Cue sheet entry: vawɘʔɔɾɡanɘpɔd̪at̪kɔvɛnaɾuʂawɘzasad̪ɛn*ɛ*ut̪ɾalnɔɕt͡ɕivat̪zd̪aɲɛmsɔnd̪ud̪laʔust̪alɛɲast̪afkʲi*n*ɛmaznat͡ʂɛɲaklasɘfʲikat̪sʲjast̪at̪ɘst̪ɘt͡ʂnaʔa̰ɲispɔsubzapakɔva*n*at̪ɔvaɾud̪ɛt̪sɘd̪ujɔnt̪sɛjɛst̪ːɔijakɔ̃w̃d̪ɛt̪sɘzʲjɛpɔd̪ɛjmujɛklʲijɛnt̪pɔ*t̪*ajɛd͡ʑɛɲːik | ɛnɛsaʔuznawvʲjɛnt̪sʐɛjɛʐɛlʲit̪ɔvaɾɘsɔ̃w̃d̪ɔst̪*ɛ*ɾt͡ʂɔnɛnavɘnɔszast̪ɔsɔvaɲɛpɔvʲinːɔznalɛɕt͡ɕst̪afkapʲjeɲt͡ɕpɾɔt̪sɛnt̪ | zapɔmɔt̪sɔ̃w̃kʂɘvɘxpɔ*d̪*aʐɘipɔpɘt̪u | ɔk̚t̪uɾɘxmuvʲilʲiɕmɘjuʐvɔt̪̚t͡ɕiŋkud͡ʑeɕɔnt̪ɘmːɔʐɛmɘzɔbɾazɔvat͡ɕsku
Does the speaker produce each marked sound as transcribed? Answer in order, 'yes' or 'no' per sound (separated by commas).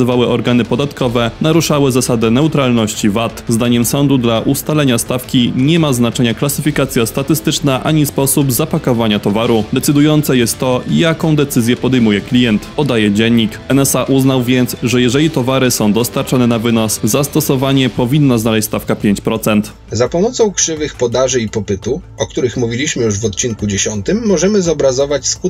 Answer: yes, no, no, no, no, yes